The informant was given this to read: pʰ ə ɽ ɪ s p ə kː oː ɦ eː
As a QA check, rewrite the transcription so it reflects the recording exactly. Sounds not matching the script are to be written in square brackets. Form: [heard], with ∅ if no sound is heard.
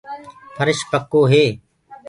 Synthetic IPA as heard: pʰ ə [ɾ] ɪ [ʃ] p ə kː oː ɦ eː